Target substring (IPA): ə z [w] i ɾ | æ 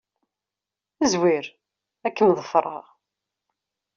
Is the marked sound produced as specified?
yes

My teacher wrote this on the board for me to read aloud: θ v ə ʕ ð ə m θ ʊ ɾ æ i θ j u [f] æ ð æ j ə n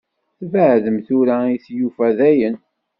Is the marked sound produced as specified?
yes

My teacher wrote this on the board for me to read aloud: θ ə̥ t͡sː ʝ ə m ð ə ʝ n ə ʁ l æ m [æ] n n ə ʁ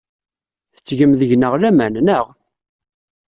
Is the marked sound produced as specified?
yes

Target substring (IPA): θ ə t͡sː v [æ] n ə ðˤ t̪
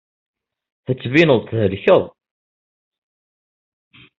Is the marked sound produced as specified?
no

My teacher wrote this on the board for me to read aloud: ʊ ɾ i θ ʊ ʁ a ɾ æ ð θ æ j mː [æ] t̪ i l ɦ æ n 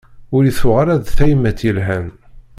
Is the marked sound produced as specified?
yes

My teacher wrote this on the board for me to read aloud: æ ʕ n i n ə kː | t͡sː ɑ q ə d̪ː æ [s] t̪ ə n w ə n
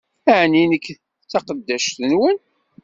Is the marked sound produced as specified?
no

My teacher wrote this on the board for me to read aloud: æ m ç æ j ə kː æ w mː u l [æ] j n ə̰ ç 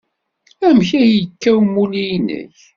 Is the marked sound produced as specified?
no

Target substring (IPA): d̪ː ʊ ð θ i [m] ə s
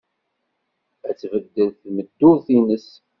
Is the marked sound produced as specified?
no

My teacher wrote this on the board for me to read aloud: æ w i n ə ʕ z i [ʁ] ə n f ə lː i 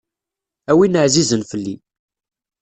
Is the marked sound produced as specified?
no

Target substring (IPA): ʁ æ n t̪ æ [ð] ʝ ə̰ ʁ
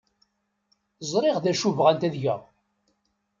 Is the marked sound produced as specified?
yes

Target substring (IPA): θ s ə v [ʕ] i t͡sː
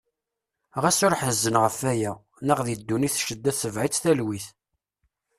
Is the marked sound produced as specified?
yes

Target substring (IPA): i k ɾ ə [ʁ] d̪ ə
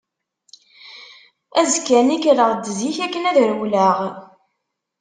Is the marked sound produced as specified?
yes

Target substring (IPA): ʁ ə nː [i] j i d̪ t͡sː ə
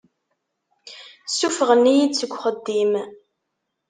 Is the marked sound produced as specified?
yes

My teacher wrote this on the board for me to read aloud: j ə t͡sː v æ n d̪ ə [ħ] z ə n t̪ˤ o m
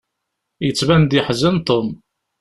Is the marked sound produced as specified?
yes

